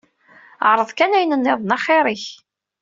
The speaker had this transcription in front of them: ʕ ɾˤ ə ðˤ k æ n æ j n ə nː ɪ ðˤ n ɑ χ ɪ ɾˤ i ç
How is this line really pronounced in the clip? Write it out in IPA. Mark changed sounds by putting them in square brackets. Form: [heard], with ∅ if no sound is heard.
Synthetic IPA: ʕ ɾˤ ə ðˤ k æ n æ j n ə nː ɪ ðˤ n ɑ χ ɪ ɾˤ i ç